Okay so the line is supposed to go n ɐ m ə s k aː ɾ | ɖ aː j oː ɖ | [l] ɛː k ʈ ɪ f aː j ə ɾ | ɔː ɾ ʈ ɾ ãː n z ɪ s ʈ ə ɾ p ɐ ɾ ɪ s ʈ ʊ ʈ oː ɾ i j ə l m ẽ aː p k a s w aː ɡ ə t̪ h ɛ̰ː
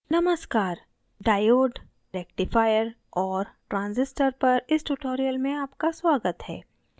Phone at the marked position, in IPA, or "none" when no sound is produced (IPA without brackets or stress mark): ɾ